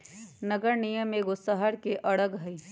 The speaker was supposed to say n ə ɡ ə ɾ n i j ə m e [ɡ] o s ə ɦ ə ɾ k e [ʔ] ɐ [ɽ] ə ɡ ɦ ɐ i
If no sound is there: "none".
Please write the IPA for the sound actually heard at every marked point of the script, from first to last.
ɡ, ʔ, ɽ

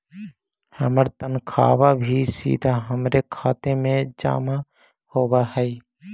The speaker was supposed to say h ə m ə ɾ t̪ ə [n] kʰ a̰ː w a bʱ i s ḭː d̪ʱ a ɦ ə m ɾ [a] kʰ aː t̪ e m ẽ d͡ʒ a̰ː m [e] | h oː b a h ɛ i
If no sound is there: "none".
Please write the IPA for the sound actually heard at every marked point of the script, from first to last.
n, e, a

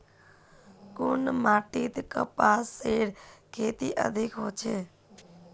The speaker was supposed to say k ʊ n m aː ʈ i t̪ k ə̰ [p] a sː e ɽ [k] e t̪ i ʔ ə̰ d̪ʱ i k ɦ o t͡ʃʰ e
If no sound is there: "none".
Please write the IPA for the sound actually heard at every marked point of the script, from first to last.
p, kʰ

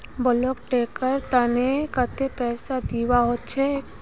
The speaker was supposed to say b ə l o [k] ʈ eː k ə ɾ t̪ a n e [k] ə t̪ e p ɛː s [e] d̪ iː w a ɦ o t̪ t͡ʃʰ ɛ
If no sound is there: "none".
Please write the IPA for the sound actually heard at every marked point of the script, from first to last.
k, k, a

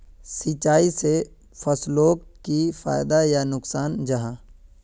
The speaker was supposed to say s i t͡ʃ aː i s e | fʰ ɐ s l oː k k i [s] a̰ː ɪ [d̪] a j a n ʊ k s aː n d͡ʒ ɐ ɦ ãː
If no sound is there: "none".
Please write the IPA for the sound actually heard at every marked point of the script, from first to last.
f, d̪

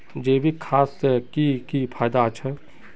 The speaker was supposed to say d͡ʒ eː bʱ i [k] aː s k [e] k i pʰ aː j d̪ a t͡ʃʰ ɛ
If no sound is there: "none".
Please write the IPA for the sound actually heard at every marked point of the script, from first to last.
kʰ, i

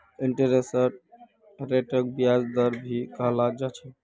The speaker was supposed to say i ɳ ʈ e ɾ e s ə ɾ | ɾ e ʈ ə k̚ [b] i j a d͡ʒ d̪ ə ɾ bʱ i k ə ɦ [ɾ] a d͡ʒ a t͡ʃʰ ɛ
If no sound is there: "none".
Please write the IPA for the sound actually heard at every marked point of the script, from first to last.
b, l

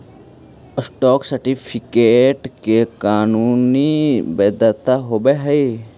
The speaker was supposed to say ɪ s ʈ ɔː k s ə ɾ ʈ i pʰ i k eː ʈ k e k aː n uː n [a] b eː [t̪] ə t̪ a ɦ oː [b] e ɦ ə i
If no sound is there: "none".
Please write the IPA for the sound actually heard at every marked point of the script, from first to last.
i, d̪, b

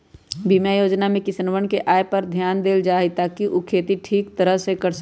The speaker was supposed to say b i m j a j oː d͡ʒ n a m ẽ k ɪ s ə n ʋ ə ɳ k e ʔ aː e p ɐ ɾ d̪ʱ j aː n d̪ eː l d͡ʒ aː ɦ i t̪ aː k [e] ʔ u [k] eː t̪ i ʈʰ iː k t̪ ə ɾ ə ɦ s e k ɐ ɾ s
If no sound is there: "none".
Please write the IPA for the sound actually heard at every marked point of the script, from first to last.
i, kʰ

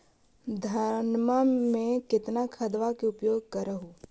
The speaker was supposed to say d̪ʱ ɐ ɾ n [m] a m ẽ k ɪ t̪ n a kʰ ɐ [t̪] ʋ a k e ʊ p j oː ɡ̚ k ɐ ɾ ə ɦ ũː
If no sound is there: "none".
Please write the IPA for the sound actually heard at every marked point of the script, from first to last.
m, d̪

